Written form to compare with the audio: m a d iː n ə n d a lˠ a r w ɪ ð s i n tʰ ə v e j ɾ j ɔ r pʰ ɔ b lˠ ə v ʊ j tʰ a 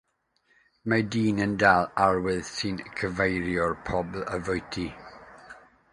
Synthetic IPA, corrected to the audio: m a d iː n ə n d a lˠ a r w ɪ ð s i n kʰ ə v e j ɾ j ɔ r pʰ ɔ b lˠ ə v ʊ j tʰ i